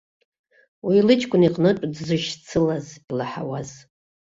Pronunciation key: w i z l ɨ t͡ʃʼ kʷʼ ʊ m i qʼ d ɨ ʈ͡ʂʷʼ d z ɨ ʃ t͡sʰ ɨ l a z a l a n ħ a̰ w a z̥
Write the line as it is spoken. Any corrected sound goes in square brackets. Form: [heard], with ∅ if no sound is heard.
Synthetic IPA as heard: w i [∅] l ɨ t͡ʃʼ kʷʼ ʊ [n] i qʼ [n] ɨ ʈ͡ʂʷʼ d z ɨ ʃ t͡sʰ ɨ l a z [i] l a [∅] ħ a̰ w a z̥